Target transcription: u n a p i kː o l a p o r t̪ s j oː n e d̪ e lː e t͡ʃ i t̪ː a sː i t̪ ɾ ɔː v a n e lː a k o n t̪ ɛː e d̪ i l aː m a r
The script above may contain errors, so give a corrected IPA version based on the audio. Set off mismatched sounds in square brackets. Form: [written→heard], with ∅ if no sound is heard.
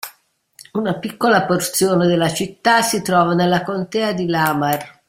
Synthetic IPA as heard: u n a p i kː o l a p o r t̪ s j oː n e d̪ e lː [e→a] t͡ʃ i t̪ː a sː i t̪ ɾ ɔː v a n e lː a k o n t̪ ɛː [e→a] d̪ i l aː m a r